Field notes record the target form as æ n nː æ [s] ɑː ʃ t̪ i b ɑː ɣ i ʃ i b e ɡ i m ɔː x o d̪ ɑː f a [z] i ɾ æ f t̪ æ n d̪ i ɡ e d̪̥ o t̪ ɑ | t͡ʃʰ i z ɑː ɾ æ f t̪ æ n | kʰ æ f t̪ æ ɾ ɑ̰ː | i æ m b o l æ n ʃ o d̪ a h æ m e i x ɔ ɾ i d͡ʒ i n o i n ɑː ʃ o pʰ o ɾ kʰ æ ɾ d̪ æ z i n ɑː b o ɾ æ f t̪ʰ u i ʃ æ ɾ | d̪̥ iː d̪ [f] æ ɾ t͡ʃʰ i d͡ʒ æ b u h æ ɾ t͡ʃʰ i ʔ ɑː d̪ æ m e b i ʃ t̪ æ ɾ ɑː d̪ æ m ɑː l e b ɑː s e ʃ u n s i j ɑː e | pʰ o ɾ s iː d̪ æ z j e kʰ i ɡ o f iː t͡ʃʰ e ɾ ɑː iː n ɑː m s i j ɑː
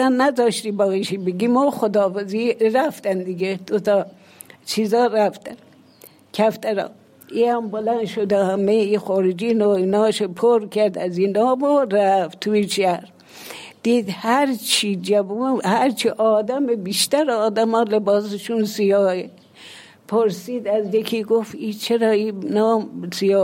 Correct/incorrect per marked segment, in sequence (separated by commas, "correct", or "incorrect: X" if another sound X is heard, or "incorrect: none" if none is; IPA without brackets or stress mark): incorrect: z, correct, incorrect: h